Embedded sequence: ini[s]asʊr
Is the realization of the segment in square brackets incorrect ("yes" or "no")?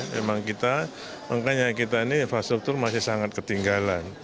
yes